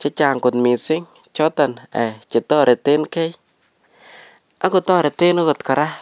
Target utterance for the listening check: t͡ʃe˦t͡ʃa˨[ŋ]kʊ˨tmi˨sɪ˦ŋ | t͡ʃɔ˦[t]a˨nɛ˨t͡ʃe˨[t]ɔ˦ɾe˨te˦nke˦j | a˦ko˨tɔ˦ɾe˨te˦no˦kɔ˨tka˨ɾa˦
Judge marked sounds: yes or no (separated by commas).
yes, yes, yes